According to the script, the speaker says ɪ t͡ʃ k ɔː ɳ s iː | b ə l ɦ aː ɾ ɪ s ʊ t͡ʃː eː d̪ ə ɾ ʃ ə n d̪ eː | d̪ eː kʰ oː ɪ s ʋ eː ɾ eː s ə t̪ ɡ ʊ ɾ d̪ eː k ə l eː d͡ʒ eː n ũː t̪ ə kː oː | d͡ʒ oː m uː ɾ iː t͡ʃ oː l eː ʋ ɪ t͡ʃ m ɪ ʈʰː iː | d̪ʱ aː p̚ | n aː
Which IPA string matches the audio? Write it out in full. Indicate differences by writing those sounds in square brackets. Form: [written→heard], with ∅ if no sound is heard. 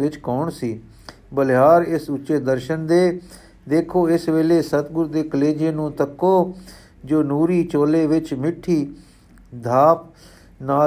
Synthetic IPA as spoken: ɪ t͡ʃ k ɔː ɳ s iː | b ə l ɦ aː ɾ ɪ s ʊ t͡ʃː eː d̪ ə ɾ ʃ ə n d̪ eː | d̪ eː kʰ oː ɪ s ʋ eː [ɾ→l] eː s ə t̪ ɡ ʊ ɾ d̪ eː k ə l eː d͡ʒ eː n ũː t̪ ə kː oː | d͡ʒ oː [m→n] uː ɾ iː t͡ʃ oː l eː ʋ ɪ t͡ʃ m ɪ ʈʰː iː | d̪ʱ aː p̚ | n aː